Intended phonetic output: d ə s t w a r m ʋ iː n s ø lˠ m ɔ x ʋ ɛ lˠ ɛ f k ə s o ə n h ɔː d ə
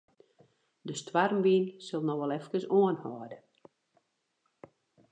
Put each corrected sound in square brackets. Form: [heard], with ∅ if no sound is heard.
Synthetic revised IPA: d ə s t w a r m ʋ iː n s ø lˠ [n] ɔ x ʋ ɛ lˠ ɛ f k ə s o ə n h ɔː d ə